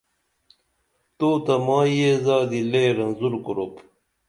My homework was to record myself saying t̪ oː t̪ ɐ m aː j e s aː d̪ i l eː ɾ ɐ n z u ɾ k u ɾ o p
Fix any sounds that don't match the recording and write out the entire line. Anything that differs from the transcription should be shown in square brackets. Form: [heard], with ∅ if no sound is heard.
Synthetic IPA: t̪ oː t̪ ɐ m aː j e [z] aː d̪ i l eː ɾ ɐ n z u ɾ k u ɾ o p